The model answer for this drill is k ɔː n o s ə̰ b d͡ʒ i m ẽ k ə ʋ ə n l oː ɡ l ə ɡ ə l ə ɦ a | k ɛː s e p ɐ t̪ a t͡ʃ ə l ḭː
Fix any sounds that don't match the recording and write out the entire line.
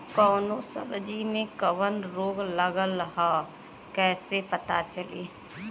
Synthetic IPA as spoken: k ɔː n o s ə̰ b d͡ʒ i m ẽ k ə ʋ ə n ɾ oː ɡ l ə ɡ ə l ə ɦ a | k ɛː s e p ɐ t̪ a t͡ʃ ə l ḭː